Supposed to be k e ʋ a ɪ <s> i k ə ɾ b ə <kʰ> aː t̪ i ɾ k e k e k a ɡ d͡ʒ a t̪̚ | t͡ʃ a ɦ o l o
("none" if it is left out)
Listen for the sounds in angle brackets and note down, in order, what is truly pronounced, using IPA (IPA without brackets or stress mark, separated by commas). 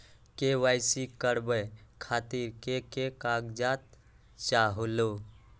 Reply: s, kʰ